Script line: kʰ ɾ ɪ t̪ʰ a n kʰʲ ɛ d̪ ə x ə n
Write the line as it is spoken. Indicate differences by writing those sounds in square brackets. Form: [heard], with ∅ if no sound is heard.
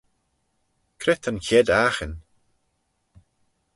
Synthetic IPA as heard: kʰ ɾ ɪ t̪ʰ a n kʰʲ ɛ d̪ [a] x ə n